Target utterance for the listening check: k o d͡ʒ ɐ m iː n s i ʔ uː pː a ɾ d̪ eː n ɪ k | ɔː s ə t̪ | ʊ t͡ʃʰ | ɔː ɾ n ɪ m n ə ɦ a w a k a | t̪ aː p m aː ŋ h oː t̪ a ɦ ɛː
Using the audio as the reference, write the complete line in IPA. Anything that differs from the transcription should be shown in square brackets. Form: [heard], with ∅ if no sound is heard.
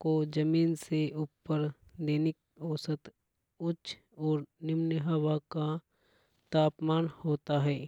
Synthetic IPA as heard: k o d͡ʒ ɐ m iː n s [e] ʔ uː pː [ə] ɾ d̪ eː n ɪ k | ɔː s ə t̪ | ʊ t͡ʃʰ | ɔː ɾ n ɪ m n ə ɦ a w a k a | t̪ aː p m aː [n] h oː t̪ a ɦ ɛː